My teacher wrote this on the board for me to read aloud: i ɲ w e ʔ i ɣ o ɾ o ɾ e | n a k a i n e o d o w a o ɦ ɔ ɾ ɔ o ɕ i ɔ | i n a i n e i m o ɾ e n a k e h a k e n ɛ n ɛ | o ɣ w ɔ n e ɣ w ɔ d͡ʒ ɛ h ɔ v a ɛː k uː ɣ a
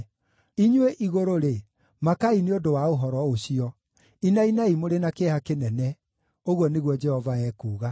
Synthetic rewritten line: i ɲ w e ʔ i ɣ o ɾ o ɾ e | m a k a i n e o d o w a o ɦ ɔ ɾ ɔ o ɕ i ɔ | i n a i n a i m o ɾ e n a k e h a k e n ɛ n ɛ | o ɣ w ɔ n e ɣ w ɔ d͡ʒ ɛ h ɔ v a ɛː k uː ɣ a